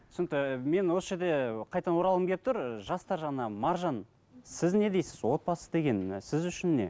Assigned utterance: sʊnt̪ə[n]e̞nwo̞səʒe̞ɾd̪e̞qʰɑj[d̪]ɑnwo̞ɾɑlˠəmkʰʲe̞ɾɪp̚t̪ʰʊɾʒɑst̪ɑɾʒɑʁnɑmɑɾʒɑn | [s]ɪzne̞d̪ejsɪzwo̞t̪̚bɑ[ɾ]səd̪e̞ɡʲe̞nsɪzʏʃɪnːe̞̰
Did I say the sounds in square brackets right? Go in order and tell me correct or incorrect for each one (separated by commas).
incorrect, incorrect, correct, incorrect